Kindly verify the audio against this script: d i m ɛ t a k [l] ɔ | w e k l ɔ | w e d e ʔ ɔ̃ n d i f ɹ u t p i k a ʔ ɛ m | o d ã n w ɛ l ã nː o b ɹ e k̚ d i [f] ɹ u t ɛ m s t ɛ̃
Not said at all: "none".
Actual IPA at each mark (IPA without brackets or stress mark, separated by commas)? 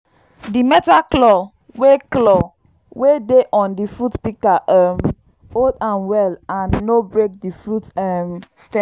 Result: l, f